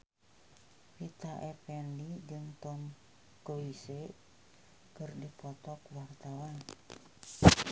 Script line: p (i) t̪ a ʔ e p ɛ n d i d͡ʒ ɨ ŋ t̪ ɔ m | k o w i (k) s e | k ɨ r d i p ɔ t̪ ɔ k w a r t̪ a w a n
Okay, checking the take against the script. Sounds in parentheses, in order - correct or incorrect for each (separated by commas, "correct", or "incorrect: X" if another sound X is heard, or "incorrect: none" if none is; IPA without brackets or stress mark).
correct, incorrect: none